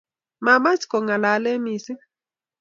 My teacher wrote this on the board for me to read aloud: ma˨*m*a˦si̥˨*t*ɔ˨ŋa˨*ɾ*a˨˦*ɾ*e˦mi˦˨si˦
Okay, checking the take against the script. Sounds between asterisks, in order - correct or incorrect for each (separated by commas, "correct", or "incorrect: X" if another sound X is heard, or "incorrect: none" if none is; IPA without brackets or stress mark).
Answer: correct, incorrect: k, incorrect: l, incorrect: l